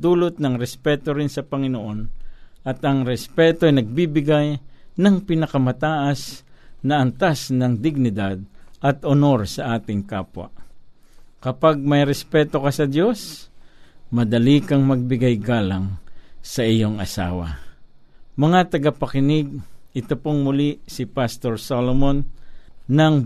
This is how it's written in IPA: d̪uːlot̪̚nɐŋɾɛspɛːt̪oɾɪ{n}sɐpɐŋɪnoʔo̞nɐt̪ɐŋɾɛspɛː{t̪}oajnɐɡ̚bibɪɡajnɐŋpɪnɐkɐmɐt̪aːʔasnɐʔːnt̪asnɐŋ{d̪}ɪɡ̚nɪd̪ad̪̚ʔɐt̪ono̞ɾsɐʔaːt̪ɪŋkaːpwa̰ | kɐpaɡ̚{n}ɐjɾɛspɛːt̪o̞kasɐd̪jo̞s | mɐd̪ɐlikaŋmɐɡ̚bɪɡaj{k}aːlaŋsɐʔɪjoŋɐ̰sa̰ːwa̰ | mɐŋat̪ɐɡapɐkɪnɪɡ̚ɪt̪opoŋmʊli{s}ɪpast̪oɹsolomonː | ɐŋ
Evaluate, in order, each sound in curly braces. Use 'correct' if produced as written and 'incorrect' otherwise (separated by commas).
correct, correct, correct, incorrect, incorrect, correct